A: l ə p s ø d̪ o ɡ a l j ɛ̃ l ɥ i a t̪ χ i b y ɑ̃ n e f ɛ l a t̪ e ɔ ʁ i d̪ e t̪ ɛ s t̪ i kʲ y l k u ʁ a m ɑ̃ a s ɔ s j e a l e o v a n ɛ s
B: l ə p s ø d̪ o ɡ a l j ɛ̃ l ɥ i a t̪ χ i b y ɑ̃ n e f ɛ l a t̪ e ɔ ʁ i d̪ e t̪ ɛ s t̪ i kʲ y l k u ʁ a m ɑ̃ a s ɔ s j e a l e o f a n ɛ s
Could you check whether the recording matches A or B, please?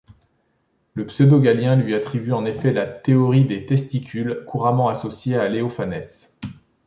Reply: B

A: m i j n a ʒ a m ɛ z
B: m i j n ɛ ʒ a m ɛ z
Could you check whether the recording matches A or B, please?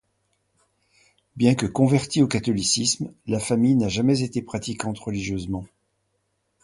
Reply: A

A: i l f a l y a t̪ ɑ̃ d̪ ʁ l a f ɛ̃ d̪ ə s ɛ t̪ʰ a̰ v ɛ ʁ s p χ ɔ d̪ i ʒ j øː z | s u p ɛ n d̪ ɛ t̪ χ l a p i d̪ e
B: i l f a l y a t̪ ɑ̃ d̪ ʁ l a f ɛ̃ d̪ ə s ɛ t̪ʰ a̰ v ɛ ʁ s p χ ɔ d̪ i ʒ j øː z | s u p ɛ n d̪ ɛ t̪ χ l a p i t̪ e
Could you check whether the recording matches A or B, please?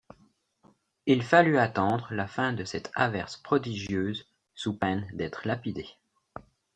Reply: A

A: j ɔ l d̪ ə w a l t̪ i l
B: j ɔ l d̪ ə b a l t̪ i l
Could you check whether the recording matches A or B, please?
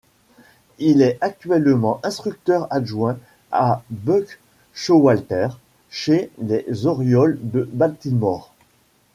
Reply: B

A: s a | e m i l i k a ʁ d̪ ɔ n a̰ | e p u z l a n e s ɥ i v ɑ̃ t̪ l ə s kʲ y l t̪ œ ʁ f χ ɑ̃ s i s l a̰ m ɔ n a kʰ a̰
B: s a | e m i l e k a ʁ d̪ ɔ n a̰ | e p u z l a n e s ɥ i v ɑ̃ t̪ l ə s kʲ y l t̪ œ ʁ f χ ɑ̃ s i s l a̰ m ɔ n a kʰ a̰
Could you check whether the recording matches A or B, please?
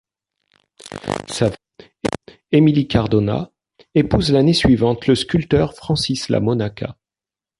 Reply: A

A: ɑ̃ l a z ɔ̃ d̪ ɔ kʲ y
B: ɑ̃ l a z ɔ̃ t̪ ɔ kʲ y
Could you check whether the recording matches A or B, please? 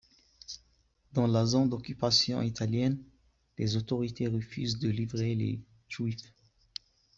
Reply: A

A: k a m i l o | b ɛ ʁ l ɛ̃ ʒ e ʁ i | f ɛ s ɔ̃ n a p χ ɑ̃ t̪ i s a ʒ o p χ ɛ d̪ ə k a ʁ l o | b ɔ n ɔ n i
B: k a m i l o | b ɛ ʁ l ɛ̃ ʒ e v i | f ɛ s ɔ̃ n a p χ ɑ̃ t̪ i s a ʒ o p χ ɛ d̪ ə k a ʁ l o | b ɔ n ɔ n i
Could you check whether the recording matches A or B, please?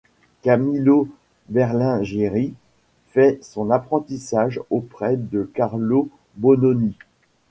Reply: A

